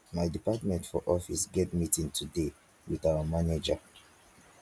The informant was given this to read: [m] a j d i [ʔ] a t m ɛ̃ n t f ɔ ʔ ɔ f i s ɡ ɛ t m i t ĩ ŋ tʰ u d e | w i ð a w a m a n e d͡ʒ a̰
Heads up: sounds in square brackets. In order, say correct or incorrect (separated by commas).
correct, incorrect